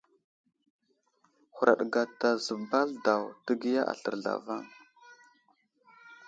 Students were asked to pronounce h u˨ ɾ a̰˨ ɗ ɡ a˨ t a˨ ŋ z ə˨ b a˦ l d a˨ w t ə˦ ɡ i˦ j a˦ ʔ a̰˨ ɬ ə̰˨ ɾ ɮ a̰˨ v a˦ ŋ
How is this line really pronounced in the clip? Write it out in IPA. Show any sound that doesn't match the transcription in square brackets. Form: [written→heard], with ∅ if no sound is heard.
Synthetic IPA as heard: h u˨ ɾ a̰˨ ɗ ɡ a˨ t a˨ [ŋ→∅] z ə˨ b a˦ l d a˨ w t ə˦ ɡ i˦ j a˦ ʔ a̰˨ ɬ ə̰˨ ɾ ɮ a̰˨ v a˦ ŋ

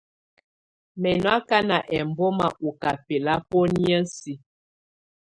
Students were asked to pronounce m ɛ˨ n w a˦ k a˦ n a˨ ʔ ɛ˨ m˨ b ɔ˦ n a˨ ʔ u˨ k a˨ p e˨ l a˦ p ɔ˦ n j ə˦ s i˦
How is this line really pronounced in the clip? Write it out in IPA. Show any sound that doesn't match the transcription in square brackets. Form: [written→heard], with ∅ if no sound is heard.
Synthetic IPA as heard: m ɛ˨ n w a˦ k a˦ n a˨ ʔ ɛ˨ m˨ b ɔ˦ [n→m] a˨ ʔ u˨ k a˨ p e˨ l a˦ p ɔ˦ n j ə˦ s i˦

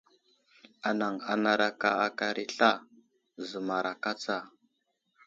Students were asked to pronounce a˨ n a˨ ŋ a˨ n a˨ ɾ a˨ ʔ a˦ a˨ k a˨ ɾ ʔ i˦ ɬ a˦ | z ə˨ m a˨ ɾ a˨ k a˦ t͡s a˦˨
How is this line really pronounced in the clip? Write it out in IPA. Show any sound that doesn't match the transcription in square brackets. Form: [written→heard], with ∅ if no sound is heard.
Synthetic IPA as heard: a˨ n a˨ ŋ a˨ n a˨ ɾ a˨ [ʔ→k] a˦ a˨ k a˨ ɾ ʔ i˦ ɬ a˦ | z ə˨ m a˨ ɾ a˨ k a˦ t͡s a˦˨

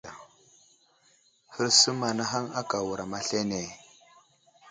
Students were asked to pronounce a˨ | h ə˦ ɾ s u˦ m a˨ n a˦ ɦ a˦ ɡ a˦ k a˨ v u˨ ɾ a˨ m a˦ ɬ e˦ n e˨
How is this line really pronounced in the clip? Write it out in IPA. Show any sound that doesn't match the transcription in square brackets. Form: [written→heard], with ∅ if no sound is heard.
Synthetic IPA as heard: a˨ | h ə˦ ɾ s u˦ m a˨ n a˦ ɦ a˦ [ɡ→ŋ] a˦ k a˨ [v→w] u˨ ɾ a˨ m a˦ ɬ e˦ n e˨

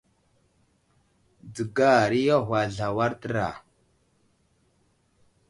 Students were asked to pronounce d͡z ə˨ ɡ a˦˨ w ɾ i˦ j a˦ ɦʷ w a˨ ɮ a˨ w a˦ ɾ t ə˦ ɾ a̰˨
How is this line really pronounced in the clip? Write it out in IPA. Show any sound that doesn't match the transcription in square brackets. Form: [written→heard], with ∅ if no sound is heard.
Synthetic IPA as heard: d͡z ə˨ ɡ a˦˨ [w→∅] ɾ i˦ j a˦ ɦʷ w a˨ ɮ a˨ w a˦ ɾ t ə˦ ɾ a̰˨

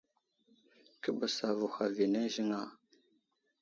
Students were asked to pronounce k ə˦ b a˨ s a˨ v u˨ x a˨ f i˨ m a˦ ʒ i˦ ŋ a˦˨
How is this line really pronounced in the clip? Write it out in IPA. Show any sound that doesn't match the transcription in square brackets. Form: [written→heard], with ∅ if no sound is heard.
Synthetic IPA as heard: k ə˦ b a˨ s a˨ v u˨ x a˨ [f→v] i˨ [m→n] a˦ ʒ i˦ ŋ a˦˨

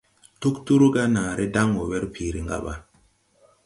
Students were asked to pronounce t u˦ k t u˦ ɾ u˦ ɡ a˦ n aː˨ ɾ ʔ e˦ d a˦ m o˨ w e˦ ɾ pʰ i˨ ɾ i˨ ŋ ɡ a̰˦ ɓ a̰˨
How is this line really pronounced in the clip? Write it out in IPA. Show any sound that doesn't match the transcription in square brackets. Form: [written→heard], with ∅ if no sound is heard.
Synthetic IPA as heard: t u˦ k t u˦ ɾ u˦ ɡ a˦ n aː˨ ɾ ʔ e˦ d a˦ [m→ŋ] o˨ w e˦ ɾ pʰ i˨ ɾ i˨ ŋ ɡ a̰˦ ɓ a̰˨

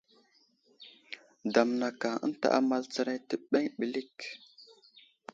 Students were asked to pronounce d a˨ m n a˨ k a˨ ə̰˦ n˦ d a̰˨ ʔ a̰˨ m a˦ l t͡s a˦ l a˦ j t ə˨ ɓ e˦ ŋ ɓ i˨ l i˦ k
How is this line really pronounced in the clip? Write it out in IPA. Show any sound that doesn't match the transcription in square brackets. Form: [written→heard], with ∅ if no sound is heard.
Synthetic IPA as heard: d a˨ m n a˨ k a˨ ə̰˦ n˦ [d→t] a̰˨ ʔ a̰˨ m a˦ l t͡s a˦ [l→ɾ] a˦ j t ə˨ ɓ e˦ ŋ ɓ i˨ l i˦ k

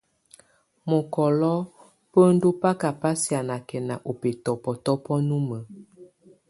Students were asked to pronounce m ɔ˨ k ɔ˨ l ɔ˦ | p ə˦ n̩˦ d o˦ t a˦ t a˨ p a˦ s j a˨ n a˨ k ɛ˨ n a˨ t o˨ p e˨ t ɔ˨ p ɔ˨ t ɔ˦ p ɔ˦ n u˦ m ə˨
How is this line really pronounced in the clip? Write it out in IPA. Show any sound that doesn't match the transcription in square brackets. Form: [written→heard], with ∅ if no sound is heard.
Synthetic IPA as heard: m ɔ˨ k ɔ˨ l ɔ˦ | p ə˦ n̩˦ d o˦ [t→p] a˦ [t→k] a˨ p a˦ s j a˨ n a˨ k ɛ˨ n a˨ [t→ʔ] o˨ p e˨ t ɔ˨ p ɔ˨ t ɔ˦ p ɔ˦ n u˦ m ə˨

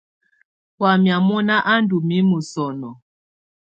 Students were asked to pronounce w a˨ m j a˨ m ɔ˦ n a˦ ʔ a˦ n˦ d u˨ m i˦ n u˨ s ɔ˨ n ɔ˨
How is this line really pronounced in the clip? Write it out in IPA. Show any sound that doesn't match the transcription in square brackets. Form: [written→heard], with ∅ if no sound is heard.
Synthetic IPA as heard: w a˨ m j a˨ m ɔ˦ n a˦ ʔ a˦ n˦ d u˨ m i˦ [n→m] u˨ s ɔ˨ n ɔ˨

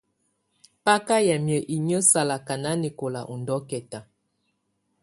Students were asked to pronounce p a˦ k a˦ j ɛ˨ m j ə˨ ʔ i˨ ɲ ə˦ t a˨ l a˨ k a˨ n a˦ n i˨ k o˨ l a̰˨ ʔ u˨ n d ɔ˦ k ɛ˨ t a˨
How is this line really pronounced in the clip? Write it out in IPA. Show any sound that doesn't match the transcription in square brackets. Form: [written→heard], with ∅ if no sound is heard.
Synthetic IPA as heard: p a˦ k a˦ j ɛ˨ m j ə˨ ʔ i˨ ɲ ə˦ [t→s] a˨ l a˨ k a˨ n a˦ n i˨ k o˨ l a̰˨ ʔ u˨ n d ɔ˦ k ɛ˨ t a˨

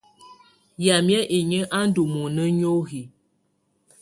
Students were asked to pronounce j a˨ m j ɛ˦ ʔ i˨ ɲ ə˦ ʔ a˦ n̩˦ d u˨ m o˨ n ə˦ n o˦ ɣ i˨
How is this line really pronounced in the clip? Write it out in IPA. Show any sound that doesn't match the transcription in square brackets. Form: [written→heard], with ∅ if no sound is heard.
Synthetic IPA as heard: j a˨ m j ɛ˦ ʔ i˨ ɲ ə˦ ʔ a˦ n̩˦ d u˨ m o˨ n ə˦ [n→ɲ] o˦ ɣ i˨

